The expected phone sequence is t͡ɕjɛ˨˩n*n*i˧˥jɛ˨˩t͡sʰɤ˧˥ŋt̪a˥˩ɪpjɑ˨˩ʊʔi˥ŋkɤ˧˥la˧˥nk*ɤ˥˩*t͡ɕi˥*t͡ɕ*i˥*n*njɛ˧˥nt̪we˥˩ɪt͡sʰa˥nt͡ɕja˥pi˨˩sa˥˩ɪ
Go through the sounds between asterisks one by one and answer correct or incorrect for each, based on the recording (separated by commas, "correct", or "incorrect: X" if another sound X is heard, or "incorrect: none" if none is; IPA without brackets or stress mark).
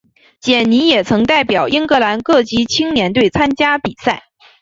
correct, correct, incorrect: t͡ɕʰ, incorrect: ŋ